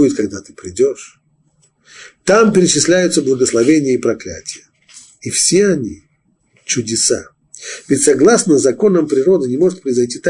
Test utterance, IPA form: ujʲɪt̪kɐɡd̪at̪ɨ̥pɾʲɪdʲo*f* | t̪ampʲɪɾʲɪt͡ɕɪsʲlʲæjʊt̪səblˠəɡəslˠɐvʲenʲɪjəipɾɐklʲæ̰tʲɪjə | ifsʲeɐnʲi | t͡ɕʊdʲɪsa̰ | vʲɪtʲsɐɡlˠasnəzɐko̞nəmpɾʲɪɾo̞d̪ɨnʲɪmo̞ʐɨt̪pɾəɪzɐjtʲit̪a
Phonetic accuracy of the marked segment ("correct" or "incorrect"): incorrect